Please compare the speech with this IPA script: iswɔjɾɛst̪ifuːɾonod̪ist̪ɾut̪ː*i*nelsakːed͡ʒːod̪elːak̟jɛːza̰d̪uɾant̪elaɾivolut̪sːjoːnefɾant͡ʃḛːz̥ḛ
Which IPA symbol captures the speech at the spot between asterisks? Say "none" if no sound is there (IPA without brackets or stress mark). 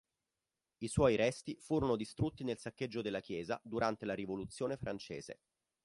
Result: i